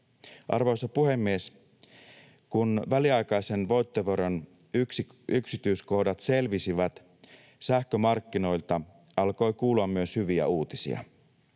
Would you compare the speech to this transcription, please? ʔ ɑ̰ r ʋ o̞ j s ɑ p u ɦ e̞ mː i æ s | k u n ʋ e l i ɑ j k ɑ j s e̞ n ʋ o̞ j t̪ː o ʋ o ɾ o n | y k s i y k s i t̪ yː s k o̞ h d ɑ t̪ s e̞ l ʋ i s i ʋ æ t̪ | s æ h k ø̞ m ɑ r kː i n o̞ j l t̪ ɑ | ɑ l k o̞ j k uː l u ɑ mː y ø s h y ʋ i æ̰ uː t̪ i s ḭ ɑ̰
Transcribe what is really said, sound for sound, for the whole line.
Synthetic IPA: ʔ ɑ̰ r ʋ o̞ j s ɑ p u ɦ e̞ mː i e s | k u n ʋ æ l i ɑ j k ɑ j s e̞ n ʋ o̞ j t̪ː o ʋ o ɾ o n | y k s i y k s i t̪ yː s k o̞ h d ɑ t̪ s e̞ l ʋ i s i ʋ æ t̪ | s æ h k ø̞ m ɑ r kː i n o̞ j l t̪ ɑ | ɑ l k o̞ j k uː l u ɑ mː y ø s h y ʋ i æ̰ uː t̪ i s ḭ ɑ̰

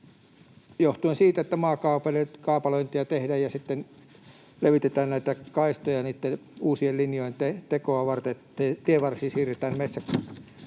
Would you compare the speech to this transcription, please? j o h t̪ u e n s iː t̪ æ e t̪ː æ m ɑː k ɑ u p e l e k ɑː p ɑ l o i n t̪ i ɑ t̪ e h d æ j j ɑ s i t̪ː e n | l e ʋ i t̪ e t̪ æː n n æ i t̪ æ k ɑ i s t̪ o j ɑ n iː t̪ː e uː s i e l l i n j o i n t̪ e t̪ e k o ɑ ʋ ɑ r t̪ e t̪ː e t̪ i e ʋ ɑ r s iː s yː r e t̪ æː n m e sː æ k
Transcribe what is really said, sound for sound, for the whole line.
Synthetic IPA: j o h t̪ u e n s iː t̪ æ e t̪ː æ m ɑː k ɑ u p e l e k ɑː p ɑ l o i n t̪ i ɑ t̪ e h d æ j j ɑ s i t̪ː e n | l e ʋ i t̪ e t̪ æː n n æ i t̪ æ k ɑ i s t̪ o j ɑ n iː t̪ː e uː s i e l l i n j o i n t̪ e t̪ e k o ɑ ʋ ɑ r t̪ e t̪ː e t̪ i e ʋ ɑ r s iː s iː r e t̪ æː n m e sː æ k

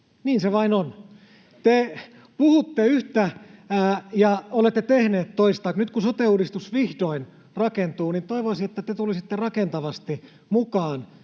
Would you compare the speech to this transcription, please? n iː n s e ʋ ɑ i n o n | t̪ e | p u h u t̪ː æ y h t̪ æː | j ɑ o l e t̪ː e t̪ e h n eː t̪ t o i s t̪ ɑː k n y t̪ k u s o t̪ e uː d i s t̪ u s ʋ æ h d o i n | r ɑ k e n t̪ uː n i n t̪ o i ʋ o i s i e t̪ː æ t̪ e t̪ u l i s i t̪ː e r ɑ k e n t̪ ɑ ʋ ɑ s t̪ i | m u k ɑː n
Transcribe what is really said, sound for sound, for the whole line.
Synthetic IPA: n iː n s e ʋ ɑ i n o n | t̪ e | p u h u t̪ː e y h t̪ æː | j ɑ o l e t̪ː e t̪ e h n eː t̪ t o i s t̪ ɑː k n y t̪ k u s o t̪ e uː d i s t̪ u s ʋ i h d o i n | r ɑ k e n t̪ uː n i n t̪ o i ʋ o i s i e t̪ː æ t̪ e t̪ u l i s i t̪ː e r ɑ k e n t̪ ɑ ʋ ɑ s t̪ i | m u k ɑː n

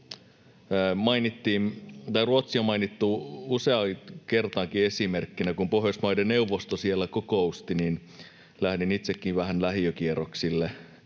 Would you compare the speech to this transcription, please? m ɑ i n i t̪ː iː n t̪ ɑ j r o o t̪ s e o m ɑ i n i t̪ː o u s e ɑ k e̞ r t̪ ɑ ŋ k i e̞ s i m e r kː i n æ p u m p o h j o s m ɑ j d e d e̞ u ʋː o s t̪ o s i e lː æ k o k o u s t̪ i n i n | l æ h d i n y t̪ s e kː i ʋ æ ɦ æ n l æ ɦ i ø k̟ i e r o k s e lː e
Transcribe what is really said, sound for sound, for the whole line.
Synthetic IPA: m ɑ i n i t̪ː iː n t̪ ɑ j r u o t̪ s i o m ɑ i n i t̪ː u u s e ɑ k e̞ r t̪ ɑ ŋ k i e̞ s i m e r kː i n æ k u m p o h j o s m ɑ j d e n e̞ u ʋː o s t̪ o s i e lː æ k o k o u s t̪ i n i n | l æ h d i n i t̪ s e kː i ʋ æ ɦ æ n l æ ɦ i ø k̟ i e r o k s i lː e

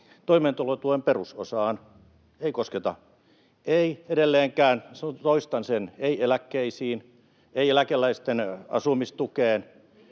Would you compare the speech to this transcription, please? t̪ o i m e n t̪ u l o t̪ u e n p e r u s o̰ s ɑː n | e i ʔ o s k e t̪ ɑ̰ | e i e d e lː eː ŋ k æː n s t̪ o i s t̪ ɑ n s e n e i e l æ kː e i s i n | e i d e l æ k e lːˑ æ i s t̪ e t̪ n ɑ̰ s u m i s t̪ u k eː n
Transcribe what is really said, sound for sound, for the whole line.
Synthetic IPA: t̪ o i m e n t̪ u l o t̪ u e m p e r u s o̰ s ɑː n | e i k o s k e t̪ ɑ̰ | e i e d e lː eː ŋ k æː n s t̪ o i s t̪ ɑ n s e n e i e l æ kː e i s iː n | e i e l æ k e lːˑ æ i s t̪ e n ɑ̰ s u m i s t̪ u k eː n

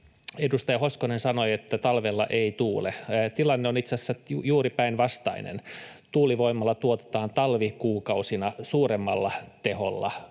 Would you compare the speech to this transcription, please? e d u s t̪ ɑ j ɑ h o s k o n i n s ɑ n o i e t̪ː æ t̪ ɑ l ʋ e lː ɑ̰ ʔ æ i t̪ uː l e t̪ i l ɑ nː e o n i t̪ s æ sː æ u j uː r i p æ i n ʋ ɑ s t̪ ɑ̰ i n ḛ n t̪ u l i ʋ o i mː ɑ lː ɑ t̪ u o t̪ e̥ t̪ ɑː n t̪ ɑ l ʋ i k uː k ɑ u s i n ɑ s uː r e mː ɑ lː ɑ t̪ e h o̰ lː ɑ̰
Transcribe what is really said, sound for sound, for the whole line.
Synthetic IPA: e d u s t̪ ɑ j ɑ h o s k o n e n s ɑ n o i e t̪ː æ t̪ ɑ l ʋ e lː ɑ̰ ʔ e i t̪ uː l e t̪ i l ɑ nː e o n i t̪ s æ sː æ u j uː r i p æ i n ʋ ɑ s t̪ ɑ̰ i n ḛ n t̪ uː l i ʋ o i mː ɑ lː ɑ t̪ u o t̪ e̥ t̪ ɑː n t̪ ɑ l ʋ i k uː k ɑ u s i n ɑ s uː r e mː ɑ lː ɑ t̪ e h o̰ lː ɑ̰

